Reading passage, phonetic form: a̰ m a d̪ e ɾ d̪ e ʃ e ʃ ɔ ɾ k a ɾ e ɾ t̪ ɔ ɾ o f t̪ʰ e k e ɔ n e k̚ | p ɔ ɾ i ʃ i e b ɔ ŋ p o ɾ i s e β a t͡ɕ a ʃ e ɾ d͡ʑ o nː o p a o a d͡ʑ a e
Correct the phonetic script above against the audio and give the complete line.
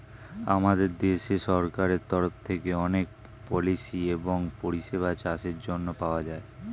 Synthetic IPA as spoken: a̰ m a d̪ e ɾ d̪ e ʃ e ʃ ɔ ɾ k a ɾ e ɾ t̪ ɔ ɾ o f t̪ʰ e k e ɔ n e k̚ | p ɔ l i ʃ i e b o ŋ p o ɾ i ʃ e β a t͡ɕ a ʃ e ɾ d͡ʑ o nː o p a o a d͡ʑ a e